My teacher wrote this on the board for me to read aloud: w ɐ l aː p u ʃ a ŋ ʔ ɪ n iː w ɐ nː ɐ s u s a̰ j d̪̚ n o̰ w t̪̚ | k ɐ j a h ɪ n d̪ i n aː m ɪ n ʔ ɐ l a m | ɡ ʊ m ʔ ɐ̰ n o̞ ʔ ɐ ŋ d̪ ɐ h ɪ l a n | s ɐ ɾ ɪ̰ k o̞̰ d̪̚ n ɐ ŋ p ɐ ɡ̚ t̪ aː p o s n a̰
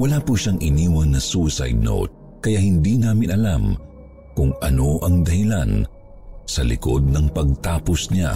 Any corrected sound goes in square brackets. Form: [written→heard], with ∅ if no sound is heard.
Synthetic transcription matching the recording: w ɐ l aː p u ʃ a ŋ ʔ ɪ n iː w ɐ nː ɐ s u s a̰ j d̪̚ n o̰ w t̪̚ | k ɐ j a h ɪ n d̪ i n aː m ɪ n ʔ ɐ l a m | [ɡ→k] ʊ [m→ŋ] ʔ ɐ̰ n o̞ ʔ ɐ ŋ d̪ ɐ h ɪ l a n | s ɐ [ɾ→l] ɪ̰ k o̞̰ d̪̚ n ɐ ŋ p ɐ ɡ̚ t̪ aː p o s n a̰